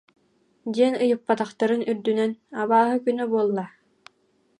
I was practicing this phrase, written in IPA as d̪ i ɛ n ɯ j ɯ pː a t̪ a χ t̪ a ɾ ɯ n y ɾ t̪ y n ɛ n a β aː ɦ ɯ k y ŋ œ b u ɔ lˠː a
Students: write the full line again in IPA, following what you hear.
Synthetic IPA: d̪ i ɛ n ɯ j ɯ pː a t̪ a χ t̪ a ɾ ɯ n y ɾ d̪ y n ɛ n a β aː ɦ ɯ k y n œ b u ɔ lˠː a

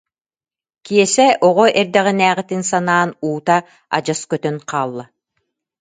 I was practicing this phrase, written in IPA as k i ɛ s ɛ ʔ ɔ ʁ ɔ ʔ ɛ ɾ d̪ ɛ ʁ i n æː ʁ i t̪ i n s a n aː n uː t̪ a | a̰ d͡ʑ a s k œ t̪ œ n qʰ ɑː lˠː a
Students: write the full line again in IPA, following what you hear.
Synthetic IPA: k i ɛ s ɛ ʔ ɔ ʁ ɔ ʔ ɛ ɾ d̪ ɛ ʁ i n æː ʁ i t̪ i n s a n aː n uː t̪ a | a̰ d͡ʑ a s k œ t̪ œ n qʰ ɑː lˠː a

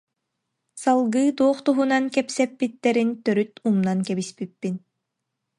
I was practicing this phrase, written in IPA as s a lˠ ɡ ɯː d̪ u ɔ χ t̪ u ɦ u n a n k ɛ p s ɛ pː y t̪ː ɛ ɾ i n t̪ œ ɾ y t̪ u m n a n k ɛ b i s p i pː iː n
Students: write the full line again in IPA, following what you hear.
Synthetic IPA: s a lˠ ɡ ɯː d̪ u ɔ χ t̪ u ɦ u n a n k ɛ p s ɛ pː i t̪ː ɛ ɾ i n t̪ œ ɾ y t̪ u m n a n k ɛ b i s p i pː i n

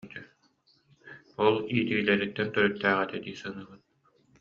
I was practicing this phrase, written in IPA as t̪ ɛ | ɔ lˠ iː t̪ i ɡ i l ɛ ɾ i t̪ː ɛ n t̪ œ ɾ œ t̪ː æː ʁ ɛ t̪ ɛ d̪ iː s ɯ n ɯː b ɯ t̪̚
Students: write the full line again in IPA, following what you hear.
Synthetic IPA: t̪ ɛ | ɔ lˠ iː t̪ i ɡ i l ɛ ɾ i t̪ː ɛ n t̪ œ ɾ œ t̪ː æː ʁ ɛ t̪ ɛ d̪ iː s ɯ n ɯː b ɯ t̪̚

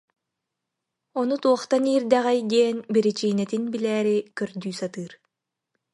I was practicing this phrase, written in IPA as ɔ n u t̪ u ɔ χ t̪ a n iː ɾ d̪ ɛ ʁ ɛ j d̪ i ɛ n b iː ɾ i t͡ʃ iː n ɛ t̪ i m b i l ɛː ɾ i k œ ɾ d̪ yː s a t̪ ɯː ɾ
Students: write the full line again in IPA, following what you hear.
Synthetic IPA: ɔ n u t̪ u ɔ χ t̪ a n iː ɾ d̪ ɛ ʁ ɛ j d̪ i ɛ n b i ɾ i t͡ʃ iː n ɛ t̪ i n b i l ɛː ɾ i k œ ɾ d̪ yː s a t̪ ɯː ɾ

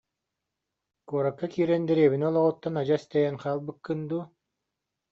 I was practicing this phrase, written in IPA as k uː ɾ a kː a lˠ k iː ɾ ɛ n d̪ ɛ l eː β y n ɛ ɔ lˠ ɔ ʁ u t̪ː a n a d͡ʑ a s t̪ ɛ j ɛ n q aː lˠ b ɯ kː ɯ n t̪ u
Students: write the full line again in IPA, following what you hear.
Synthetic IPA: k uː ɾ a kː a k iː ɾ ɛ n d̪ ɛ ɾ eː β i n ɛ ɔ lˠ ɔ ʁ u t̪ː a n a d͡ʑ a s t̪ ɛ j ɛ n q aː lˠ b ɯ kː ɯ n d̪ u

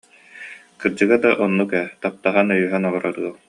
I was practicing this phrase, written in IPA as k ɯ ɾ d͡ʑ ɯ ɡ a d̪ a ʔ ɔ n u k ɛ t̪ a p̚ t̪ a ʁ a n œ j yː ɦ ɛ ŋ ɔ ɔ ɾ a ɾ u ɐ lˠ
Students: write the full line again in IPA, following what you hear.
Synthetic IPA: k ɯ ɾ d͡ʑ ɯ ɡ a d̪ a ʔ ɔ nː u k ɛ t̪ a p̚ t̪ a ʁ a n œ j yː ɦ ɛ n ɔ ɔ ɾ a ɾ ɯ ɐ lˠ

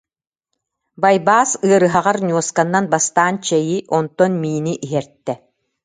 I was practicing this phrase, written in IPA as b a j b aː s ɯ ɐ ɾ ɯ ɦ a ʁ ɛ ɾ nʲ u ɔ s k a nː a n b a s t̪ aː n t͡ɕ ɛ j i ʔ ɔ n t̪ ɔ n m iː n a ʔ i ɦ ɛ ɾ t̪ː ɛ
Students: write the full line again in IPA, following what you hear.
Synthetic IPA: b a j b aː s ɯ ɐ ɾ ɯ ɦ a ʁ a ɾ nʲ u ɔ s k a nː a n b a s t̪ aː n t͡ɕ ɛ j i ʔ ɔ n t̪ ɔ n m iː n i ʔ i ɦ ɛ ɾ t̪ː ɛ

